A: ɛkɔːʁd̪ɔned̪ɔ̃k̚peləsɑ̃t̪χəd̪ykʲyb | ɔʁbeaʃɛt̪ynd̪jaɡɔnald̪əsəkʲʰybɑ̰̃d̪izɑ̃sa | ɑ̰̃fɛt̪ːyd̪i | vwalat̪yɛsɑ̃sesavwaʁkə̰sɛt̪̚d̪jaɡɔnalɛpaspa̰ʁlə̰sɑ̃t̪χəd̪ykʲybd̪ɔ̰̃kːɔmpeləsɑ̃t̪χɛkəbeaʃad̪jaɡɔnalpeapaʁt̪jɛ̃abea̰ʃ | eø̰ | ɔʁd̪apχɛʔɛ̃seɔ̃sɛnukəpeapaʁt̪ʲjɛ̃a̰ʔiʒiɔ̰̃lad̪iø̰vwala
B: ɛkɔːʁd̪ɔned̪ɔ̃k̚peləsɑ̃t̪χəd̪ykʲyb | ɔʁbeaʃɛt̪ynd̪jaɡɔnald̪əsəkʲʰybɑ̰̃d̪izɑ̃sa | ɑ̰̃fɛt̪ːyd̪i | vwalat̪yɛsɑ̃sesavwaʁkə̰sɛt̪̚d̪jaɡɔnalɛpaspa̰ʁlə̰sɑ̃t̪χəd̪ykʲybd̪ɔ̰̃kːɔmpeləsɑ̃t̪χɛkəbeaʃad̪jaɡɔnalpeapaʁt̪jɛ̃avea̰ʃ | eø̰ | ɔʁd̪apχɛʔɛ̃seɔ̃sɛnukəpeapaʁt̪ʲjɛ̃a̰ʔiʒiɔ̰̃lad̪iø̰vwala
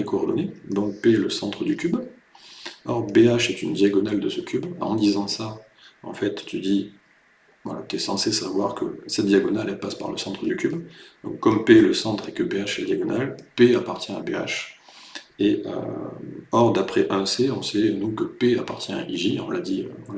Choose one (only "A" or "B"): A